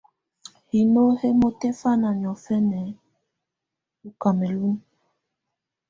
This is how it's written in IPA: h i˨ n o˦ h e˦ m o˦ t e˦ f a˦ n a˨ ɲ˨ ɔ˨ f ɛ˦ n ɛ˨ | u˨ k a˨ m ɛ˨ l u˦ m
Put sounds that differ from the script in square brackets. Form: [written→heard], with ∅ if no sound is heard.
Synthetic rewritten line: h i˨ n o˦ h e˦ m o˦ t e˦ f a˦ n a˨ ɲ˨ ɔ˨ f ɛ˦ n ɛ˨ | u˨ k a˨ m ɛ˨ l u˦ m